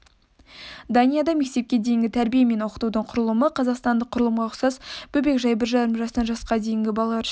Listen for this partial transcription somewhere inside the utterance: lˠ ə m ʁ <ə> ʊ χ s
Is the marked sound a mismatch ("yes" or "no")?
yes